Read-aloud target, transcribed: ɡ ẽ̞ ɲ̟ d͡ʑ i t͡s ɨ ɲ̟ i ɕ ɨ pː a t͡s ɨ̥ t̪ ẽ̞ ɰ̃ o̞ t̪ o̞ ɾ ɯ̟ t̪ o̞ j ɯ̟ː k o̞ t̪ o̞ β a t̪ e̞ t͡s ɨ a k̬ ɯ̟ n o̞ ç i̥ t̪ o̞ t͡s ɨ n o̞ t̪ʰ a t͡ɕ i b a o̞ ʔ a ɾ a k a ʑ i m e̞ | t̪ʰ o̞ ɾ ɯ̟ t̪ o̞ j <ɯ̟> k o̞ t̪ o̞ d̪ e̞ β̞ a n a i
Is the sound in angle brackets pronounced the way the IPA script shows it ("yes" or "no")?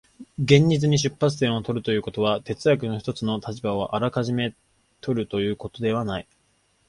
no